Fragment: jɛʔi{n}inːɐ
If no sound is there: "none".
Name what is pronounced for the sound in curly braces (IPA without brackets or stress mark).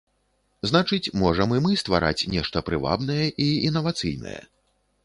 none